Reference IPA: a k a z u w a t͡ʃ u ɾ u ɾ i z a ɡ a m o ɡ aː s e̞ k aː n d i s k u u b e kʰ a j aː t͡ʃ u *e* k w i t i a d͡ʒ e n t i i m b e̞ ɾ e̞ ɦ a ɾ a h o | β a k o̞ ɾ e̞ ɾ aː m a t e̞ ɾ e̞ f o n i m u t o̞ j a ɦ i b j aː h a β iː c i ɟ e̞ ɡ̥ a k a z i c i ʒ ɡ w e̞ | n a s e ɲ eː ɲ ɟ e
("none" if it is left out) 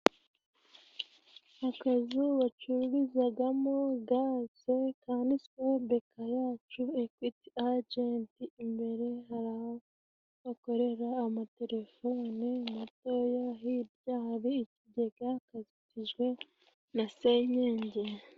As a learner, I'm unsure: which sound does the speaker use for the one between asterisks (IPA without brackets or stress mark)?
e